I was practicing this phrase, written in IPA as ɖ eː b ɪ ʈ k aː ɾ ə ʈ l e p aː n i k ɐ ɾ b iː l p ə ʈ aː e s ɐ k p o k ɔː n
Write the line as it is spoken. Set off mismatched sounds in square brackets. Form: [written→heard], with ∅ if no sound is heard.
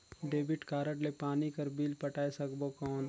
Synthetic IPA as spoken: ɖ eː b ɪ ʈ k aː ɾ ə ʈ l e p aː n i k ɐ ɾ b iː l p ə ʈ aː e s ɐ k [p→b] o k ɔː n